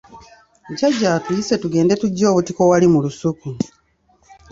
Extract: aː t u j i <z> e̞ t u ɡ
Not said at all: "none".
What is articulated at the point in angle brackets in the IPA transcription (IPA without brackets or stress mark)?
s